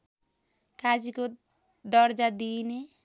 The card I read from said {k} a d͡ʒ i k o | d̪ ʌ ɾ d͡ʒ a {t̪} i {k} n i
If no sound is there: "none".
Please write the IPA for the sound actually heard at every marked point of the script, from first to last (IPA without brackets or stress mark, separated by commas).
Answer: k, d̪, none